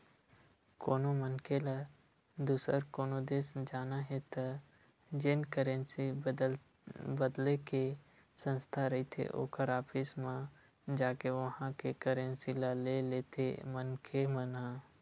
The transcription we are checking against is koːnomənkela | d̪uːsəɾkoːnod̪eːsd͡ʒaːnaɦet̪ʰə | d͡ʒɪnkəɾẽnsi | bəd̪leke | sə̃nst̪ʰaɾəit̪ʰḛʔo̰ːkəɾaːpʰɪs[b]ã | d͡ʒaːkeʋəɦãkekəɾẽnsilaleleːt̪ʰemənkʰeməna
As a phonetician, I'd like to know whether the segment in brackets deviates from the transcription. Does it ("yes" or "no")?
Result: yes